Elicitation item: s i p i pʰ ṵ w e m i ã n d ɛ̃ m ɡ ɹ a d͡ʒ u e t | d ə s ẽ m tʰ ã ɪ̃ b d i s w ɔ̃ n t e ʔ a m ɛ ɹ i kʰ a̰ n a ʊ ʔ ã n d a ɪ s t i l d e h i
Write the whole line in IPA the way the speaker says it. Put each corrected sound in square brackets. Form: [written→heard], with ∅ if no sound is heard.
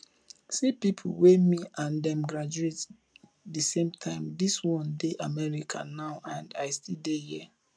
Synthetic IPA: s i p i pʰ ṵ w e m i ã n d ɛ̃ m ɡ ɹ a d͡ʒ u e t | d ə s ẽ m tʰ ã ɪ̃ [b→m] d i s w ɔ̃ n [t→d] e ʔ a m ɛ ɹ i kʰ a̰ n a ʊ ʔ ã n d a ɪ s t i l d e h i